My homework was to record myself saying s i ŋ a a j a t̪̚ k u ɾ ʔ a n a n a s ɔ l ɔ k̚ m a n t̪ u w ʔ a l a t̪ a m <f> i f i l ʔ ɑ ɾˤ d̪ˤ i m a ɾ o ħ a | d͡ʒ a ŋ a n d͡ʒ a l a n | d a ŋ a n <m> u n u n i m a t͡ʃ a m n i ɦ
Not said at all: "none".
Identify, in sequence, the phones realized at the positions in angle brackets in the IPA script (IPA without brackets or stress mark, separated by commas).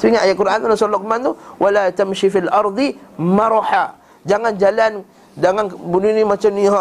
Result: ʃ, b